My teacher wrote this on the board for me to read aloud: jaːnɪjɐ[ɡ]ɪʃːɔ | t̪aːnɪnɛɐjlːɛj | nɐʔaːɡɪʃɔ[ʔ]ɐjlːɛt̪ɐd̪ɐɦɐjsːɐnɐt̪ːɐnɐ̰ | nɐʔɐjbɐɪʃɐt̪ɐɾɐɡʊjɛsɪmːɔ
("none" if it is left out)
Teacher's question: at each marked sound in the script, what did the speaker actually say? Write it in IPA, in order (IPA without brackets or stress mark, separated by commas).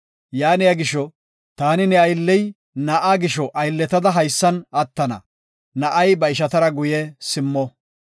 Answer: ɡ, ʔ